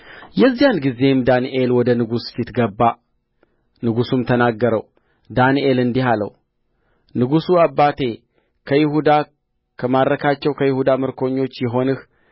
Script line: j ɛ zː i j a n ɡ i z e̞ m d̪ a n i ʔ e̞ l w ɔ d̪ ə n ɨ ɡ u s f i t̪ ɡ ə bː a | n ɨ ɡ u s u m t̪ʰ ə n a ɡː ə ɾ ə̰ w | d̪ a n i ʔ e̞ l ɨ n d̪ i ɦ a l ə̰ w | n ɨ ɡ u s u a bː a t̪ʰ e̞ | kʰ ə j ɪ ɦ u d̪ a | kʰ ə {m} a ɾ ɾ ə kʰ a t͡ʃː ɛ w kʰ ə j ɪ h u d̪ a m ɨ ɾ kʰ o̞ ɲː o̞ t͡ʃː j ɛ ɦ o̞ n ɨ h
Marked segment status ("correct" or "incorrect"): correct